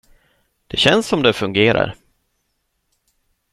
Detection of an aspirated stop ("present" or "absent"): absent